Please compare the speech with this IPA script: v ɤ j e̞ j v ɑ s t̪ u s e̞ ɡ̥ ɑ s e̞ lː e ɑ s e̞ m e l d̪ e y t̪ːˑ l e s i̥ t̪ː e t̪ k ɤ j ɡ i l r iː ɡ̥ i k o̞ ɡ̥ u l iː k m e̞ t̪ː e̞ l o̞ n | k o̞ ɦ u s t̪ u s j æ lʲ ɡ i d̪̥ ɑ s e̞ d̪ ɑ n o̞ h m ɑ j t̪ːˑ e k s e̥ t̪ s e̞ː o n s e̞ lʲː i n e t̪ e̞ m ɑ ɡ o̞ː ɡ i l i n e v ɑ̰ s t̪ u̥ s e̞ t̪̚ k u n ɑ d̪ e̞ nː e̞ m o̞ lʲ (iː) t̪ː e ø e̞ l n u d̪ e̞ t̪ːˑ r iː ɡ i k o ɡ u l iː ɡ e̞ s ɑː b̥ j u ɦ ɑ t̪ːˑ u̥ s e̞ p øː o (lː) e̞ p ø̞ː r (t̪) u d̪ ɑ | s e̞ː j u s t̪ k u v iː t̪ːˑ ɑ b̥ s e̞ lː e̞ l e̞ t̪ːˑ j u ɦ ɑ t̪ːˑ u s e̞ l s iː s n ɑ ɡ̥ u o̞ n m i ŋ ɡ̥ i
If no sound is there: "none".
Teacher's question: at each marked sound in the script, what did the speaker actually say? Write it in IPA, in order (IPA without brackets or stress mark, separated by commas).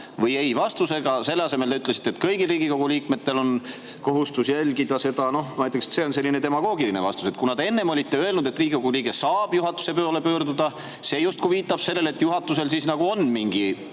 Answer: i, l, d̪